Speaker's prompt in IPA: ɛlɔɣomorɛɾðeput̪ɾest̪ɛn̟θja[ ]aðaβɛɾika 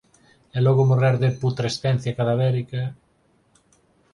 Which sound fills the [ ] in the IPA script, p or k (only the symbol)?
k